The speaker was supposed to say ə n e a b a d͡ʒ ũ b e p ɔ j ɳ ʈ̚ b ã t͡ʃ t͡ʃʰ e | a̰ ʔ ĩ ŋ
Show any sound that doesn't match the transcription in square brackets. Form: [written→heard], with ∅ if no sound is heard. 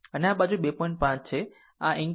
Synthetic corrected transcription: ə n e a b a d͡ʒ [ũ→u] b e p ɔ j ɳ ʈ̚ [b→p] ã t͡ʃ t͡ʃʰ e | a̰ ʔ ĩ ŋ